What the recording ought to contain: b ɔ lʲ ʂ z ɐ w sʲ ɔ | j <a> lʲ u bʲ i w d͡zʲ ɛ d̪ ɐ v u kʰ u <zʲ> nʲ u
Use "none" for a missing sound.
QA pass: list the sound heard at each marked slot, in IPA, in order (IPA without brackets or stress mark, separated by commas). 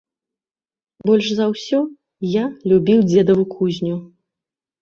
a, zʲ